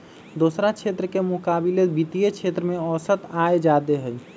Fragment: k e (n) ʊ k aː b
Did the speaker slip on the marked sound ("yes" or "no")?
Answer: yes